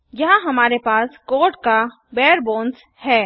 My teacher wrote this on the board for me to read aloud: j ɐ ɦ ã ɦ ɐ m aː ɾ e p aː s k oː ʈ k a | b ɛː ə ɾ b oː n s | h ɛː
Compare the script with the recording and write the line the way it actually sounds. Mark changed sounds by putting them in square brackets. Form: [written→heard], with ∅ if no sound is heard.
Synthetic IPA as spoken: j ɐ ɦ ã ɦ ɐ m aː ɾ e p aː s k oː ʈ k a | b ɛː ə ɾ b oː n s | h ɛː